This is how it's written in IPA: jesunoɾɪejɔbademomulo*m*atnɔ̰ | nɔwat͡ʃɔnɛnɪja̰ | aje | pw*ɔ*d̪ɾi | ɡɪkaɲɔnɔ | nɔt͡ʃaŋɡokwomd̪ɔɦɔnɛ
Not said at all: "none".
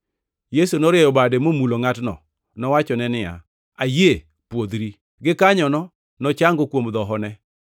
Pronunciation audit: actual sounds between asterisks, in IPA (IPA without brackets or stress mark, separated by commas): ŋ, o